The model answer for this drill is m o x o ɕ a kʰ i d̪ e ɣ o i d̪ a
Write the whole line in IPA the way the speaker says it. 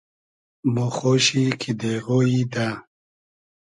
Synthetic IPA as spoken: m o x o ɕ i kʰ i d̪ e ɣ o i d̪ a

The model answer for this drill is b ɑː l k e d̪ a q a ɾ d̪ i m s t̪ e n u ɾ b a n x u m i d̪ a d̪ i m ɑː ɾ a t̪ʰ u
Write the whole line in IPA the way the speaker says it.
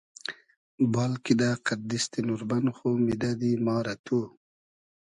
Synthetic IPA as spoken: b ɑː l k i d̪ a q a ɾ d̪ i s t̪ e n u ɾ b a n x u m i d̪ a d̪ i m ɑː ɾ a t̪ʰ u

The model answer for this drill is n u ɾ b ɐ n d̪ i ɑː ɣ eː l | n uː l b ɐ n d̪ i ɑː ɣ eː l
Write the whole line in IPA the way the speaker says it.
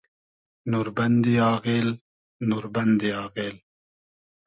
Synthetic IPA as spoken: n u ɾ b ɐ n d̪ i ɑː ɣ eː l | n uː ɾ b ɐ n d̪ i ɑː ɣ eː l

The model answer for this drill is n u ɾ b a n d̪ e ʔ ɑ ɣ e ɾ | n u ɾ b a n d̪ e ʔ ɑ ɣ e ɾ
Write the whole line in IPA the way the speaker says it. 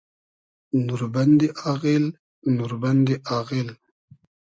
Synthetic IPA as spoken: n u ɾ b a n d̪ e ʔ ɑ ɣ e l | n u ɾ b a n d̪ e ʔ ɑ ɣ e l

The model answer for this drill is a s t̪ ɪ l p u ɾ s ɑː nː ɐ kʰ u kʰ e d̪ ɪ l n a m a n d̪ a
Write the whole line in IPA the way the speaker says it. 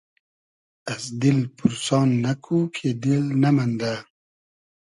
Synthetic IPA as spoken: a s d̪ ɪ l p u ɾ s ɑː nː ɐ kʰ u kʰ e d̪ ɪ l n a m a n d̪ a

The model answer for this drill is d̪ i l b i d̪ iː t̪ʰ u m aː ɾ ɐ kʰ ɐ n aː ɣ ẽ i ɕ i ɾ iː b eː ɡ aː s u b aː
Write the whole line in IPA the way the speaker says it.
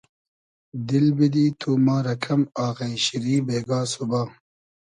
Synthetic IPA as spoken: d̪ i l b i d̪ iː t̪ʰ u m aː ɾ ɐ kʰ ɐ m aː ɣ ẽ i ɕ i ɾ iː b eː ɡ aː s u b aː

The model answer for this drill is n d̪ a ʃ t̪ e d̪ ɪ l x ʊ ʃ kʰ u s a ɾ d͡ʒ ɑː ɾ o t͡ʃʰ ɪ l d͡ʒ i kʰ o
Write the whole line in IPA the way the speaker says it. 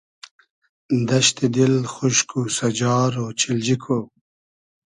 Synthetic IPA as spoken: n d̪ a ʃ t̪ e d̪ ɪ l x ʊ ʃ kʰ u s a d͡ʒ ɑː ɾ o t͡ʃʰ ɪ l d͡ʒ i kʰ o

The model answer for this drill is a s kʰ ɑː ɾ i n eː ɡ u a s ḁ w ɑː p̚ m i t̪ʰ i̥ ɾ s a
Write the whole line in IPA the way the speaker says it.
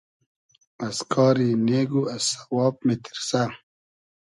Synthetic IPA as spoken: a s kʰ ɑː ɾ i n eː ɡ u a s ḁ w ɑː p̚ m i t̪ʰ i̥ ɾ s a

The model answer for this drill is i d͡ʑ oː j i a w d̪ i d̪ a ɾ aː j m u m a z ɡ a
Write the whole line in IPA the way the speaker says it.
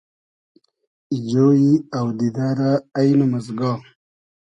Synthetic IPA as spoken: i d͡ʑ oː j i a w d̪ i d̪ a ɾ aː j n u m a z ɡ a

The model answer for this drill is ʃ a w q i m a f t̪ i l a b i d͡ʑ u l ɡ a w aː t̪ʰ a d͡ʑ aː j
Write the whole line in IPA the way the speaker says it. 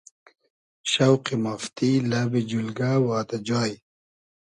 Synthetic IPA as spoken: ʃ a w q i m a f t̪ i l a b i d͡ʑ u l ɡ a w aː t̪ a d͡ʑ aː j

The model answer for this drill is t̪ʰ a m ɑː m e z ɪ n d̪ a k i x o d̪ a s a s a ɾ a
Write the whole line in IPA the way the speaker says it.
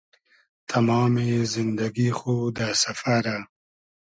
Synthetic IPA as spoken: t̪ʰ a m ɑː m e z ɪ n d̪ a ɡ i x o d̪ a s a f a ɾ a

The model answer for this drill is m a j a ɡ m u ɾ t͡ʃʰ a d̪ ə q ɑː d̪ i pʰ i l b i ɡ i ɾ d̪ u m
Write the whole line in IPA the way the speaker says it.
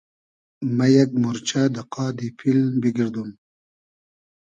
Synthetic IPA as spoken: m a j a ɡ m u ɾ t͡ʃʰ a d̪ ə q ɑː d̪ i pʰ i l b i ɡ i ɾ d̪ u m

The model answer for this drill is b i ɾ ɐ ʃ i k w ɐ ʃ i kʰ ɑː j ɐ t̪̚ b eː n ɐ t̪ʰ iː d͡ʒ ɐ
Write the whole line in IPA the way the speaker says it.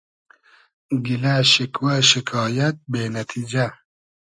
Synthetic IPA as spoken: ɡ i l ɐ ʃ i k w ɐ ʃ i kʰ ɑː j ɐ t̪̚ b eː n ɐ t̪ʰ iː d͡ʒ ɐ

